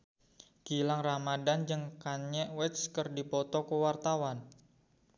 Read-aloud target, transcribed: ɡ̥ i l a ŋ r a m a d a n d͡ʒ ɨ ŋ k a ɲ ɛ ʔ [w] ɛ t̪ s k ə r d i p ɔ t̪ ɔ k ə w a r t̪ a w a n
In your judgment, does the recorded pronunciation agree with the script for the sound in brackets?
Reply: yes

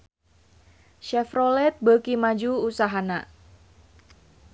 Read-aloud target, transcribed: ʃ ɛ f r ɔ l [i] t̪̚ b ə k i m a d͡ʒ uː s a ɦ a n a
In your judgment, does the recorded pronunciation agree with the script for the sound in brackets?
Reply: no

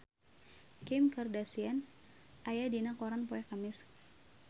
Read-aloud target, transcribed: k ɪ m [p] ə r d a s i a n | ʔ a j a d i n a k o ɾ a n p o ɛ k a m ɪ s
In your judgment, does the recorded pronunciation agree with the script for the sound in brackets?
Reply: no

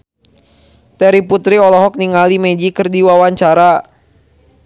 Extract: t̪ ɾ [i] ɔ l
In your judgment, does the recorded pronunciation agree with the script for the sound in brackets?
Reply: yes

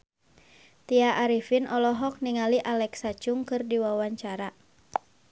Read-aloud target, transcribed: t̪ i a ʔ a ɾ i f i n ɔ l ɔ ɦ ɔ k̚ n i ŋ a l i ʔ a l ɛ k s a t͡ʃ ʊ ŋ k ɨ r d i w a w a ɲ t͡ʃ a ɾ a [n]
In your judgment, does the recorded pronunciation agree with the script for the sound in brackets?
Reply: no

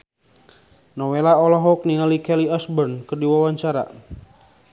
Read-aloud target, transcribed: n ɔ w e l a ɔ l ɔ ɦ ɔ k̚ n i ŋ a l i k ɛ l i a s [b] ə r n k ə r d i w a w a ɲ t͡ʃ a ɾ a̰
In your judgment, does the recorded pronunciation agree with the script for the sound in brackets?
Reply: yes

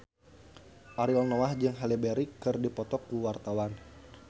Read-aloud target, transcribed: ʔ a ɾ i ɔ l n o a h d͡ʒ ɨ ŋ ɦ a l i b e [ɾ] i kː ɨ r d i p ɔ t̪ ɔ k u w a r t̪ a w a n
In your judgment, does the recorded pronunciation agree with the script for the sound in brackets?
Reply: yes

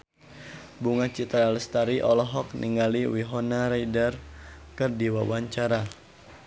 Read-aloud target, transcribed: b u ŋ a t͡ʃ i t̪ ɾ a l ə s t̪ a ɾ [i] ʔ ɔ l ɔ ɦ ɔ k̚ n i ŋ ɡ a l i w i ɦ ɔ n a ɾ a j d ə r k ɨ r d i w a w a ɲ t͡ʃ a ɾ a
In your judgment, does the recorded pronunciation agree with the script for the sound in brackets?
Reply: yes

